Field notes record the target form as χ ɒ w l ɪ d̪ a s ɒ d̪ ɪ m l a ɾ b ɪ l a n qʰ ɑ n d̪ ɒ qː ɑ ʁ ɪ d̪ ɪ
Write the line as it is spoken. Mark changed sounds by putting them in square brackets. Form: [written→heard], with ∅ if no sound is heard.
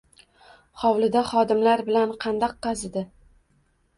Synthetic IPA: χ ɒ w l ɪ d̪ a [s→χ] ɒ d̪ ɪ m l a ɾ b ɪ l a n qʰ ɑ n d̪ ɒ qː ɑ [ʁ→z] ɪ d̪ ɪ